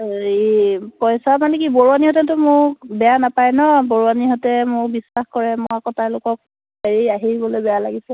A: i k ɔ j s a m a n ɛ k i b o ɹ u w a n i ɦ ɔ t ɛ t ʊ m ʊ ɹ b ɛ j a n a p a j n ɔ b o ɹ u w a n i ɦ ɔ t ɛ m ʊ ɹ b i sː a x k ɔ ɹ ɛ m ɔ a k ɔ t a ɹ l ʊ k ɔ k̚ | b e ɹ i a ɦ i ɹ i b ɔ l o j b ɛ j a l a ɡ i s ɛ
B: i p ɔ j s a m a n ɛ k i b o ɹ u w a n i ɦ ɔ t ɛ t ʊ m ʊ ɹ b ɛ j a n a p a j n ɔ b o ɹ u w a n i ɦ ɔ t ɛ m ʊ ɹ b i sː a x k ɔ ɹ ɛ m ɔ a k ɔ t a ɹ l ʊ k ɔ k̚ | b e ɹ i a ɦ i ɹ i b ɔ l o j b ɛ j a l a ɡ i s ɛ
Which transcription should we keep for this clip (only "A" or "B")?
B